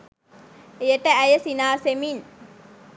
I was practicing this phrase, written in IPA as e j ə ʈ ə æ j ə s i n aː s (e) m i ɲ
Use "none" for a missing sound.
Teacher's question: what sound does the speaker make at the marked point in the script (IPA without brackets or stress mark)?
e